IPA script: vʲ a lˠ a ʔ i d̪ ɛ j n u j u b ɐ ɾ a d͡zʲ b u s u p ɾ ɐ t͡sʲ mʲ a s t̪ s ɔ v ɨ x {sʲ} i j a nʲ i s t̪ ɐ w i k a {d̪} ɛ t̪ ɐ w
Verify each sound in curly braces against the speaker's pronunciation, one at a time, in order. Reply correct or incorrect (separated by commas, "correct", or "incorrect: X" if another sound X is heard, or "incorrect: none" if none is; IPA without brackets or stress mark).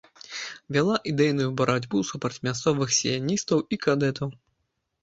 correct, correct